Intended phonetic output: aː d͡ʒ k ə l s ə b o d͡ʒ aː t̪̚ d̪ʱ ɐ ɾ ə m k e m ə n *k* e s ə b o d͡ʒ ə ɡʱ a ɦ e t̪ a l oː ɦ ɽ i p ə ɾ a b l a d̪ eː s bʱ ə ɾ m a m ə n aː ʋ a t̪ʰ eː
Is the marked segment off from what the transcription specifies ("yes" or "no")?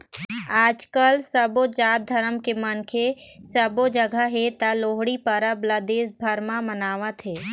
yes